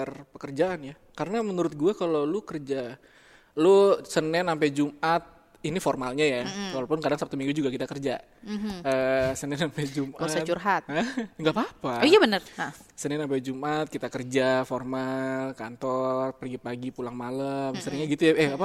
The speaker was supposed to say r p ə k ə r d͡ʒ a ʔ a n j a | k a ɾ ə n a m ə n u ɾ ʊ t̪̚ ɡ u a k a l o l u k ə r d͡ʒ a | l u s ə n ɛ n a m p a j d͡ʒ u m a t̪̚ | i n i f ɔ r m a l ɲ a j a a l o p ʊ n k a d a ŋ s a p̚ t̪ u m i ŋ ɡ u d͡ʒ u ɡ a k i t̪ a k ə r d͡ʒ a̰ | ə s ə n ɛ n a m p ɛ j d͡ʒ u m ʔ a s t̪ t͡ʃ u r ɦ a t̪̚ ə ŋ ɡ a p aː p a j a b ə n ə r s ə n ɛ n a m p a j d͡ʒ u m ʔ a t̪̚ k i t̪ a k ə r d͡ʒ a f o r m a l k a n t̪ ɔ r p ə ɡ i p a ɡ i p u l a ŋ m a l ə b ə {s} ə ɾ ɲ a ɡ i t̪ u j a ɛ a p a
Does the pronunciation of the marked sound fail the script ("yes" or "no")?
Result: no